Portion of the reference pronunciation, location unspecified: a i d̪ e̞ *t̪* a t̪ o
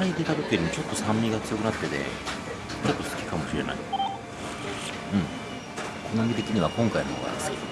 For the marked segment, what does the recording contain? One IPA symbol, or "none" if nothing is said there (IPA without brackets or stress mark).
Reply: t̪